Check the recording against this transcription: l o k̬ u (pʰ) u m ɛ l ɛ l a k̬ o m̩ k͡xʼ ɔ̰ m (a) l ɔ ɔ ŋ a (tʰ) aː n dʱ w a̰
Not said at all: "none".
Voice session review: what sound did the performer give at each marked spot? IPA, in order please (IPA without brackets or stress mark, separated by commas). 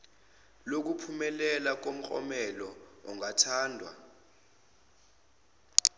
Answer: pʰ, ɛ, tʰ